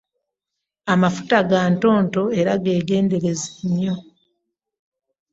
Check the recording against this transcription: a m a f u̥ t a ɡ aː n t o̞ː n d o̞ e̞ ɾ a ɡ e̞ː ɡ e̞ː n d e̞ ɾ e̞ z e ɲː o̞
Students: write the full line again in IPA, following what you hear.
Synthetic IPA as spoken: a m a f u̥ t a ɡ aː n t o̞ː n t o̞ e̞ ɾ a ɡ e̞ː ɡ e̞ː n d e̞ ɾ e̞ z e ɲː o̞